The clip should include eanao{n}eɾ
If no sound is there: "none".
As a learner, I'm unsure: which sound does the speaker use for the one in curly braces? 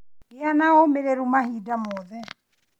m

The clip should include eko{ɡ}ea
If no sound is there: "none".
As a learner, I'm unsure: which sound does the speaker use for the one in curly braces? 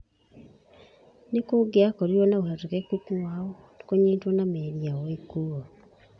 ɡ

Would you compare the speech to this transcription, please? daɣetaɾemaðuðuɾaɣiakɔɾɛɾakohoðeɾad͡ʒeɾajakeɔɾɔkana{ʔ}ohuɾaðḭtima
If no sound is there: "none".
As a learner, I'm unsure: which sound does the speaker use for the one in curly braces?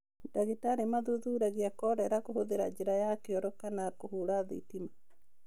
k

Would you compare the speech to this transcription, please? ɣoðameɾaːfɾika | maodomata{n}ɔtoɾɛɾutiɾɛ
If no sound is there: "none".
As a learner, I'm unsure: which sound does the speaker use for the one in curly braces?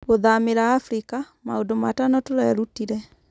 n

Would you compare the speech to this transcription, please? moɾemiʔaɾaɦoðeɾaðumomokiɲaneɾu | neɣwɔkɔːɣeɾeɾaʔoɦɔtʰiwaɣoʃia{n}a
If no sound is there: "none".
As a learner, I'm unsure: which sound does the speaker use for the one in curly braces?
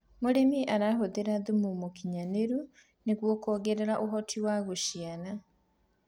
n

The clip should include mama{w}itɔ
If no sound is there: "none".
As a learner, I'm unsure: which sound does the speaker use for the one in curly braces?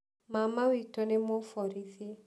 w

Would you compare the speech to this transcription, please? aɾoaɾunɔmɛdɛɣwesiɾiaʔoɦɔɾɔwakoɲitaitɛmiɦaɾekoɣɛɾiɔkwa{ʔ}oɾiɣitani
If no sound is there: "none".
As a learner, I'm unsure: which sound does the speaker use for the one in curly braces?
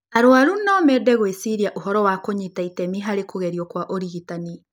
ʔ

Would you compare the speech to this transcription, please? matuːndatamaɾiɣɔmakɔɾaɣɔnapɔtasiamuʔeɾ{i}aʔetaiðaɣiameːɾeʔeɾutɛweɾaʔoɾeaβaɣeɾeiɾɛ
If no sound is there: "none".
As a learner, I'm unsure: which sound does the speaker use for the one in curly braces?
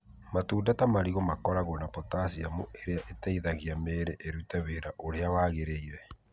e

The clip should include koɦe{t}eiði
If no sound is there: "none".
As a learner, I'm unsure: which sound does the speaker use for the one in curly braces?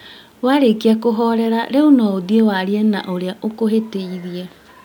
t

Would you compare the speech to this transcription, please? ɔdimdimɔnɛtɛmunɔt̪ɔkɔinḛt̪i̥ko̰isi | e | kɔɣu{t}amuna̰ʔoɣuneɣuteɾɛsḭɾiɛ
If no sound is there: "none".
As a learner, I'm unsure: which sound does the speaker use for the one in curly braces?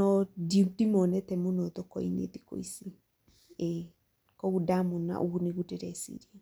d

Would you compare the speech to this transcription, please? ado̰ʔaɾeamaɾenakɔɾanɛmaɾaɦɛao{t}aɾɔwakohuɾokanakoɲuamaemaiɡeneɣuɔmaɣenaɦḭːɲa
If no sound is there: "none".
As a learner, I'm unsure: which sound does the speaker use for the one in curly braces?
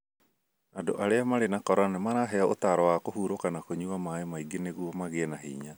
t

